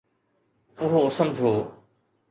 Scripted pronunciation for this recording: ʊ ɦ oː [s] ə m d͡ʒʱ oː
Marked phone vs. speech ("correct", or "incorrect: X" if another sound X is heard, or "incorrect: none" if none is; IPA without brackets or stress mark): correct